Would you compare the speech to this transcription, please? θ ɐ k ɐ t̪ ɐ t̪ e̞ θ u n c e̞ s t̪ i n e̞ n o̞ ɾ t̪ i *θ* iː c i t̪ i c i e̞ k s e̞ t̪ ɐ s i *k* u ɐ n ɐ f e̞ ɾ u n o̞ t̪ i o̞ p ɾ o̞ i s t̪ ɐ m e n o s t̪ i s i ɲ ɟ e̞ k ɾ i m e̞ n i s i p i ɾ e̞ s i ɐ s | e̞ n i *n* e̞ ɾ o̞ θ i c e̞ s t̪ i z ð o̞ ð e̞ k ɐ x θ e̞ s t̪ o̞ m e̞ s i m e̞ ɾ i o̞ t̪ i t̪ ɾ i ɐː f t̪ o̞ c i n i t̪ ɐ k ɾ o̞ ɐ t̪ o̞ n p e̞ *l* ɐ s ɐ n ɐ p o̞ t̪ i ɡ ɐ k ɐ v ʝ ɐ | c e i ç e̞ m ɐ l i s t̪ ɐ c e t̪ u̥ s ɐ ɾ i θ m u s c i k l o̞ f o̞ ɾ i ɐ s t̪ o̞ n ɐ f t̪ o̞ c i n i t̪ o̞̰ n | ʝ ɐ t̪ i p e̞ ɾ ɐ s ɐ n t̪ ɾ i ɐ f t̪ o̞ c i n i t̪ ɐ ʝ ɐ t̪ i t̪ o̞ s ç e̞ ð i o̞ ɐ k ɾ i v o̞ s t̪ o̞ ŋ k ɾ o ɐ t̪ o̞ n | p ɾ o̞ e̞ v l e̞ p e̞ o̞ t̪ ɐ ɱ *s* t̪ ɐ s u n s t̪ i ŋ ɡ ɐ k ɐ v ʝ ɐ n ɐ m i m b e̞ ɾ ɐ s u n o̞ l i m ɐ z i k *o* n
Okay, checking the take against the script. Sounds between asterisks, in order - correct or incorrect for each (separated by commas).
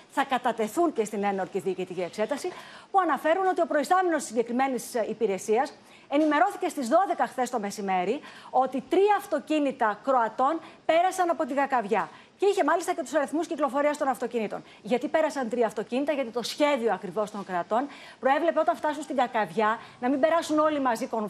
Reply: incorrect, incorrect, incorrect, incorrect, incorrect, correct